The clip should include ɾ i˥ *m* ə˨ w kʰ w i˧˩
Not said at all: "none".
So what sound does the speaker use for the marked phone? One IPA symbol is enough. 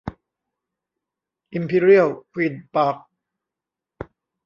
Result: none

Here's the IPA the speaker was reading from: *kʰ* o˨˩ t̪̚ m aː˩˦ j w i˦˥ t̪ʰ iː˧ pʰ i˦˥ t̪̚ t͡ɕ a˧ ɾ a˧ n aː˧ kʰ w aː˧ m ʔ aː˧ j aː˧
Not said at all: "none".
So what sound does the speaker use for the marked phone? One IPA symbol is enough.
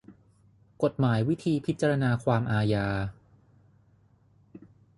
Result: k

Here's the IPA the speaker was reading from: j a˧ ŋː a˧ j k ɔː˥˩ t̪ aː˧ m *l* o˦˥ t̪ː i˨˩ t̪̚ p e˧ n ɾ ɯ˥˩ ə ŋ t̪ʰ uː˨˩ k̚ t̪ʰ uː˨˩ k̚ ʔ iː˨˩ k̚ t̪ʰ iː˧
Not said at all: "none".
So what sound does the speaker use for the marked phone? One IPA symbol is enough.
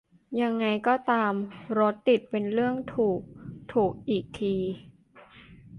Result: ɾ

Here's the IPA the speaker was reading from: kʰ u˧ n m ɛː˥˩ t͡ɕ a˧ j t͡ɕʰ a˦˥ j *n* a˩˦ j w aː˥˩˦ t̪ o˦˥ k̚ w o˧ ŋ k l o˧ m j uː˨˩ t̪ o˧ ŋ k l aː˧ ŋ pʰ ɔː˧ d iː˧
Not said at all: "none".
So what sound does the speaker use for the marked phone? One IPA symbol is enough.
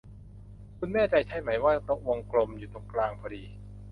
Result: m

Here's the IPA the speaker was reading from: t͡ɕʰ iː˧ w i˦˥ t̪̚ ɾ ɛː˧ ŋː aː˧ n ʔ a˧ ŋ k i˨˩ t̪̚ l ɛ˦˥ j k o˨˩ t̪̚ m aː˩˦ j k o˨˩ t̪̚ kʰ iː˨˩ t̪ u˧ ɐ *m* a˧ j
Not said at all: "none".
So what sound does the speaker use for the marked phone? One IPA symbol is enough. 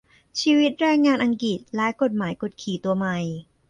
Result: m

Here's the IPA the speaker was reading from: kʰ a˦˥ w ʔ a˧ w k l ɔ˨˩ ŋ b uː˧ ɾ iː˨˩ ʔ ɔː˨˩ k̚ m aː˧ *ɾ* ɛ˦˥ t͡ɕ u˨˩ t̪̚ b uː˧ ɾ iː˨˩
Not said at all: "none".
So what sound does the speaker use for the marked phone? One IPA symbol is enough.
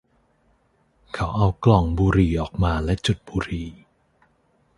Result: l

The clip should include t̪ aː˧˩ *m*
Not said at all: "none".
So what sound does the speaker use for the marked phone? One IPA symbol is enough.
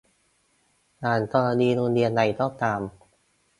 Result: m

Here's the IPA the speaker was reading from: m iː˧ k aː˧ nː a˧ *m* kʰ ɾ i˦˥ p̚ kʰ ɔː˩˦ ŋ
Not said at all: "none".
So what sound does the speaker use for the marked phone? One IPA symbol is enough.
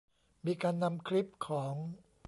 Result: m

